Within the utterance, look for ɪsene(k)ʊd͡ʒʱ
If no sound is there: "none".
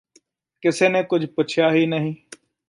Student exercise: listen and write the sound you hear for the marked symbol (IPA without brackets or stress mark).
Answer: k